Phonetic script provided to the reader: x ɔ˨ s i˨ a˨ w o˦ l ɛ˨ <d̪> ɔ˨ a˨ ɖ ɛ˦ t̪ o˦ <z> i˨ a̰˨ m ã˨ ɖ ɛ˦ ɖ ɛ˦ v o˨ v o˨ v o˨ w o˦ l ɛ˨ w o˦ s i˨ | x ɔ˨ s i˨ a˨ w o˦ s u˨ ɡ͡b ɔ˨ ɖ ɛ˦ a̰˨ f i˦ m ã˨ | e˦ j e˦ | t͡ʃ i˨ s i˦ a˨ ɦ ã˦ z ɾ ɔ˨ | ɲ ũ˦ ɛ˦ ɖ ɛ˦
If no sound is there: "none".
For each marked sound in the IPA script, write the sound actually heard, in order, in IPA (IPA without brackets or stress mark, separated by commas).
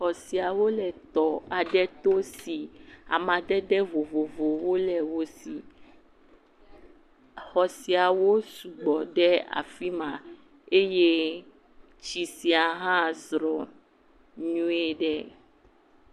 t̪, s